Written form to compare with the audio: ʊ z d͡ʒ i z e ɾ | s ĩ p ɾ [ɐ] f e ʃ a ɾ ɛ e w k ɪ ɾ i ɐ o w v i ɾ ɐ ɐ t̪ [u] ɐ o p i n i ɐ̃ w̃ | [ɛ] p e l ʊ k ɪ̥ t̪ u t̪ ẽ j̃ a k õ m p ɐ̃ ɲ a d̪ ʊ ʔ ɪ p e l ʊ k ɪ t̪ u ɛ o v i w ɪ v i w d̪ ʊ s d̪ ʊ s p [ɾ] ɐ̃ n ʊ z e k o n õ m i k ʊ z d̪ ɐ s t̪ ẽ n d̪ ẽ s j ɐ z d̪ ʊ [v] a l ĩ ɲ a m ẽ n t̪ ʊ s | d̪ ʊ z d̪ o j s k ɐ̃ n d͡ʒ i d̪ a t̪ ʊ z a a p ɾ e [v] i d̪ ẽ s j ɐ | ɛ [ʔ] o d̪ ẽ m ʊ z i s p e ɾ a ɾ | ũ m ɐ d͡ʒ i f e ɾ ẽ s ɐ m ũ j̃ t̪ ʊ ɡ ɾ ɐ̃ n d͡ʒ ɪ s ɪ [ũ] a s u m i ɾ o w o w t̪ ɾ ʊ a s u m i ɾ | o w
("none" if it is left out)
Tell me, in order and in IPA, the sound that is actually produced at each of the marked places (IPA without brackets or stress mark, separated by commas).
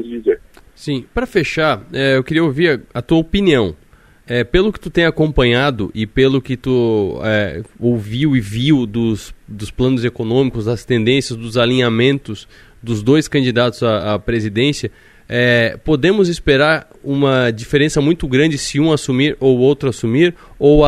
ɐ, u, ɛ, l, z, z, p, ũ